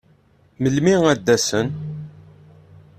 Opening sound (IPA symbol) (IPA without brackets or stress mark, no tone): m